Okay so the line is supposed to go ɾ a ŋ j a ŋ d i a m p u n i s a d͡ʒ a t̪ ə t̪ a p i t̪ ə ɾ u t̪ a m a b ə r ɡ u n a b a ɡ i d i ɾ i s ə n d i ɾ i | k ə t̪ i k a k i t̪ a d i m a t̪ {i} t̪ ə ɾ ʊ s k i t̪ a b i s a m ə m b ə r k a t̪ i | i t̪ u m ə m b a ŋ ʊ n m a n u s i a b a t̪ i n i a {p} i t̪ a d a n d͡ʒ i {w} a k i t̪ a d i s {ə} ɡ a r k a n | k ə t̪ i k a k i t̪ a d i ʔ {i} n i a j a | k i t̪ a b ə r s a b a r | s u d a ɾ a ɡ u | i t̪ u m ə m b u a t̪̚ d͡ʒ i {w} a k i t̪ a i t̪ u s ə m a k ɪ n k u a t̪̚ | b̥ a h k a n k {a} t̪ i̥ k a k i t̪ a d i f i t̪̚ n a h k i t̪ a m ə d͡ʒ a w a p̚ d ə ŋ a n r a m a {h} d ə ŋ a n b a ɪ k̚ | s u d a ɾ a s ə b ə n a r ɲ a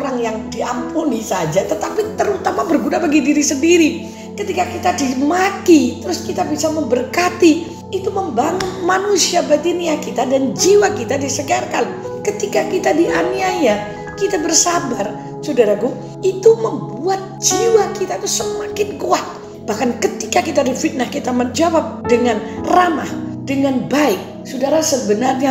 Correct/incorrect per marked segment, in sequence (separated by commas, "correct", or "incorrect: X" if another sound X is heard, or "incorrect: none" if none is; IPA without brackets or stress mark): correct, incorrect: k, correct, correct, incorrect: a, correct, incorrect: ə, correct